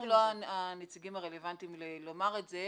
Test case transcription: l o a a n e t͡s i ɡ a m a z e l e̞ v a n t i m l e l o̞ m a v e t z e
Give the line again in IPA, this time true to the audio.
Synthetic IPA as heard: l o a a n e t͡s i ɡ i m a ʁ e l e̞ v a n t i m l e l o̞ m a ʁ e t z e